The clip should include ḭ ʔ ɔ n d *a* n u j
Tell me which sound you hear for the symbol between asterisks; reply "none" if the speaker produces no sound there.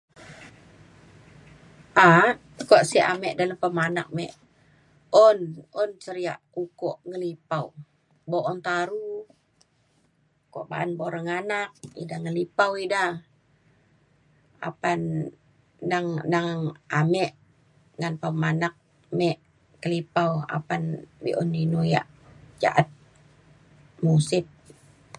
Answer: i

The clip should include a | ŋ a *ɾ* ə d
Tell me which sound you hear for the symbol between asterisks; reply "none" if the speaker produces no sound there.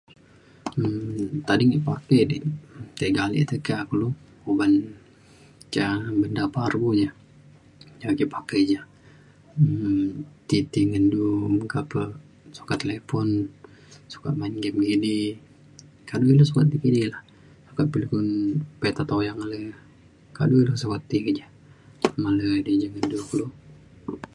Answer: l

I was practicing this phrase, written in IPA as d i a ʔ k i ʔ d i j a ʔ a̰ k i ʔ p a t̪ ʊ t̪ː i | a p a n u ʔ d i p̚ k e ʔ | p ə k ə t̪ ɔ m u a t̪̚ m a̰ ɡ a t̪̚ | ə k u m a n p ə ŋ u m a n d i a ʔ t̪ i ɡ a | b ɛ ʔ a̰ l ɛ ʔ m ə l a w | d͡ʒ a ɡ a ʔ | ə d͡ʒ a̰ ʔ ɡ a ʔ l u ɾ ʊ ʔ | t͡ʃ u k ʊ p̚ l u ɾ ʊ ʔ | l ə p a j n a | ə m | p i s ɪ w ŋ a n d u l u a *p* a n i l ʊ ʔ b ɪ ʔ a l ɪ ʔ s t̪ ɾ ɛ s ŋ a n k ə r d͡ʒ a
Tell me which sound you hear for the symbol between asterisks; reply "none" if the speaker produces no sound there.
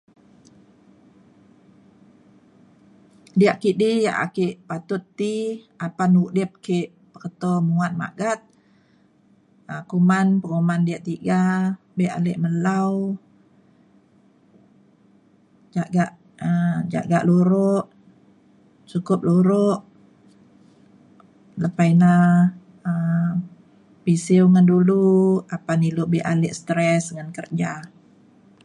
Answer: p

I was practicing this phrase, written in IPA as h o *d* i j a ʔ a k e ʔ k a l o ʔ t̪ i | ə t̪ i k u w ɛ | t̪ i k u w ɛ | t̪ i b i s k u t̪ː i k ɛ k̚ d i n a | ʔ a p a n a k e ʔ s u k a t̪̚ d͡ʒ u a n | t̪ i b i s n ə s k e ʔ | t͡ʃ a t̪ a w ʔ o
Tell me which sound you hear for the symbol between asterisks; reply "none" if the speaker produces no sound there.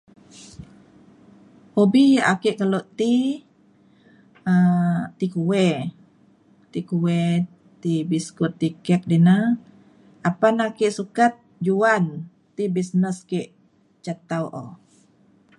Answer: b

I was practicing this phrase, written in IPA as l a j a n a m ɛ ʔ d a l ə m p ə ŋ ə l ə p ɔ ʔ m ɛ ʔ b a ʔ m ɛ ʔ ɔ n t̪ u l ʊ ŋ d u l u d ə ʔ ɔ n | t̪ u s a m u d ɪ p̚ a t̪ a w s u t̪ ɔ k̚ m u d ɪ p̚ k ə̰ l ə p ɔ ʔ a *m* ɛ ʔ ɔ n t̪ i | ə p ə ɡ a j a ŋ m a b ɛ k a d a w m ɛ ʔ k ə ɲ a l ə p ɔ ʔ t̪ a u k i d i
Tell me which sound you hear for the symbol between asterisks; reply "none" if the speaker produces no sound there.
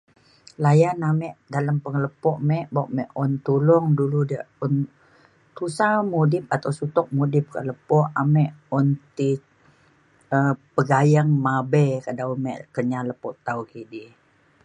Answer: m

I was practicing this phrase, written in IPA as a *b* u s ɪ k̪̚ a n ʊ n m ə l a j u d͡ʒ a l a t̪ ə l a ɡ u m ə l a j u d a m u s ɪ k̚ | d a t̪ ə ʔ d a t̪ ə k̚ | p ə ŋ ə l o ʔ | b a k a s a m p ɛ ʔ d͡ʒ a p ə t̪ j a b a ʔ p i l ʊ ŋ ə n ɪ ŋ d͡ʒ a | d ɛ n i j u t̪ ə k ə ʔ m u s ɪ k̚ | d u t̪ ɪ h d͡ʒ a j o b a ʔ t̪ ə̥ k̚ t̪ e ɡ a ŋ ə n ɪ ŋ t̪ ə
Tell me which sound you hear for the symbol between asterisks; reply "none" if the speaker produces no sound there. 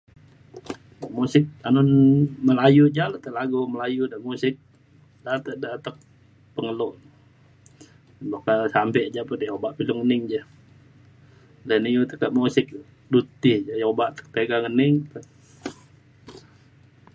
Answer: m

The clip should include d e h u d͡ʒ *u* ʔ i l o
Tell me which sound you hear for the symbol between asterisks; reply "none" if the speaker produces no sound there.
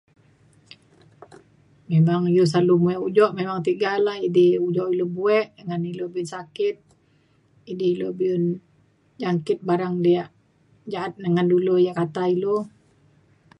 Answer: ɔ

